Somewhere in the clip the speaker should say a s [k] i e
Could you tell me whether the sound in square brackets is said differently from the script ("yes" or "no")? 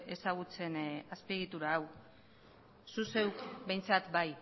yes